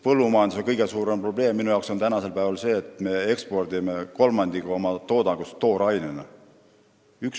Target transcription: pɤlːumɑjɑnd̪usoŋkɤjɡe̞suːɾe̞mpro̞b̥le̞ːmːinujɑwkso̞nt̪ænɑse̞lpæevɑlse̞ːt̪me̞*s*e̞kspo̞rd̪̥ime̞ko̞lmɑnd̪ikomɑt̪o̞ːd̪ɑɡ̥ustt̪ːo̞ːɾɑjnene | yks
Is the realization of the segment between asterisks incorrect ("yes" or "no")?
yes